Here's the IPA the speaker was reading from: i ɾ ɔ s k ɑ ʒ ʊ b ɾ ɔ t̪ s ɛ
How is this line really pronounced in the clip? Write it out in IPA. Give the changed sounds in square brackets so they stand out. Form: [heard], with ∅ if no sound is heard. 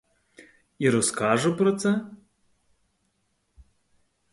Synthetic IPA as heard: i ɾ ɔ s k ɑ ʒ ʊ [p] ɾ ɔ t̪ s ɛ